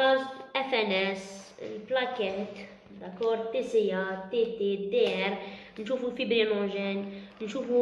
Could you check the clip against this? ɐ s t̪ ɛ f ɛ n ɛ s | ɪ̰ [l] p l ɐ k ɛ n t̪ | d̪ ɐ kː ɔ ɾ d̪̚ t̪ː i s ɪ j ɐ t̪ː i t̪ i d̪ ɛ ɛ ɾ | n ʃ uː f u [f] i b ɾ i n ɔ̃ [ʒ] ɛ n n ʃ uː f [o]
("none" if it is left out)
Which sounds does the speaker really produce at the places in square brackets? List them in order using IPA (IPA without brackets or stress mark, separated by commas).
l, f, ʒ, u